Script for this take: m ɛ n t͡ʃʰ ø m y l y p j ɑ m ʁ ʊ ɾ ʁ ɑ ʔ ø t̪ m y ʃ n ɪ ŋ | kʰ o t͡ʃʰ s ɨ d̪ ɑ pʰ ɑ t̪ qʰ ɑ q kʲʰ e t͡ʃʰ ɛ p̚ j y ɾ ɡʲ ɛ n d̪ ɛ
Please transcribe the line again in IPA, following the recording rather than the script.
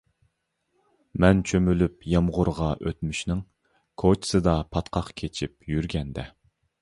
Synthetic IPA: m ɛ n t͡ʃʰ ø m y l y p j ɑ m ʁ ʊ ɾ ʁ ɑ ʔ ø t̪ m y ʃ n ɪ ŋ | kʰ o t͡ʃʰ s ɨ d̪ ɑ pʰ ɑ t̪ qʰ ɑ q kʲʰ e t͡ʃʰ i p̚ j y ɾ ɡʲ ɛ n d̪ ɛ